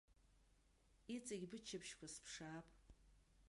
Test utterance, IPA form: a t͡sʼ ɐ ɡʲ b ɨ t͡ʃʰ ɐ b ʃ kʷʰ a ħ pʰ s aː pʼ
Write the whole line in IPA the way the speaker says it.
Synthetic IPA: i t͡sʼ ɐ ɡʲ b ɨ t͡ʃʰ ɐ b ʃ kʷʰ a s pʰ ʂ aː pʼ